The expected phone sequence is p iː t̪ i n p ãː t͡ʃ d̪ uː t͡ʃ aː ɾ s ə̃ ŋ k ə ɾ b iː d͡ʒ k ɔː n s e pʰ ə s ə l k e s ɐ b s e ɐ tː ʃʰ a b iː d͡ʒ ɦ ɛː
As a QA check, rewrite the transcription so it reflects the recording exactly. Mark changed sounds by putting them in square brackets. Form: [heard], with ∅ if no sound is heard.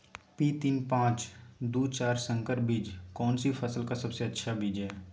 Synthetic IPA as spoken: p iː t̪ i n p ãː t͡ʃ d̪ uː t͡ʃ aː ɾ s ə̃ ŋ k ə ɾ b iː d͡ʒ k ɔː n s [i] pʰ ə s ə l k [a] s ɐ b s e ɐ tː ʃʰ a b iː d͡ʒ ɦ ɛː